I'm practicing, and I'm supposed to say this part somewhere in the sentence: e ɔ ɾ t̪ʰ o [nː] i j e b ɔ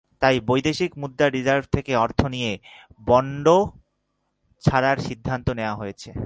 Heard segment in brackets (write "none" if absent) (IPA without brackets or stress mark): n